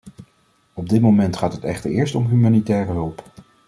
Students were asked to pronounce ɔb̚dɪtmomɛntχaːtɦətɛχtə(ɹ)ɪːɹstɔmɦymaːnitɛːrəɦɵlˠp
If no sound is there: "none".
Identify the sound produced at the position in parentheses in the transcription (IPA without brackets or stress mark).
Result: ɹ